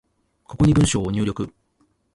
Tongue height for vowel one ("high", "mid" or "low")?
mid